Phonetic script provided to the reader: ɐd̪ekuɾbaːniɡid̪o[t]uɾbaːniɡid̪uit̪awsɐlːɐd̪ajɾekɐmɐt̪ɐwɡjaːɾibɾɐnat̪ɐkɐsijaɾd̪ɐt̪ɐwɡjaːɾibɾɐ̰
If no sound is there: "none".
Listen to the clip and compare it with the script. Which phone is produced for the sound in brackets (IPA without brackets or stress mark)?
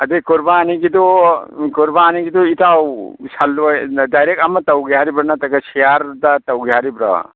k